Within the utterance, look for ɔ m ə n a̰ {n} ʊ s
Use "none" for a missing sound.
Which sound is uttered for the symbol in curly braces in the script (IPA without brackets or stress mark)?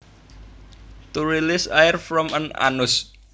n